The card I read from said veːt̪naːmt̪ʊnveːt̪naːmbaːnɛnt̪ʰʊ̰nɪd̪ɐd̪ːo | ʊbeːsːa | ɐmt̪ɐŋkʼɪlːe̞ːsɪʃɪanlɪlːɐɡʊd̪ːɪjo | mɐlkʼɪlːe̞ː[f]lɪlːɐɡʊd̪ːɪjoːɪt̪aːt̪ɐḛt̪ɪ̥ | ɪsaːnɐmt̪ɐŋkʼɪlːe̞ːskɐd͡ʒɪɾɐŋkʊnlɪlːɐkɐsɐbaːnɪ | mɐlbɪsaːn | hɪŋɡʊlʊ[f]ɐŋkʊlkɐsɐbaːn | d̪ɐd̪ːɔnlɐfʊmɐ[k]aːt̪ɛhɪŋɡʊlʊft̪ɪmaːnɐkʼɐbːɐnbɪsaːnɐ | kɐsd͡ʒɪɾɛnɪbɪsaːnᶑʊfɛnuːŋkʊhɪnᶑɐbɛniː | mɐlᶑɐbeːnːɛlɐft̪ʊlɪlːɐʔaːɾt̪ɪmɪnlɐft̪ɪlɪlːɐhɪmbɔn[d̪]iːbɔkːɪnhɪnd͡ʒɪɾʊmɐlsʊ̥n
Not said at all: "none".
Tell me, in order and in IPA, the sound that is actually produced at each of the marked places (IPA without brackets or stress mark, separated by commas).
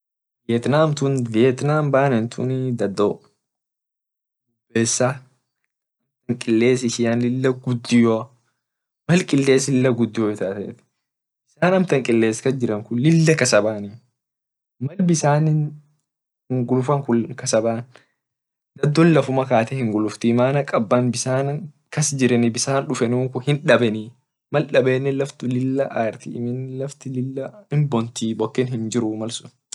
s, f, k, t̪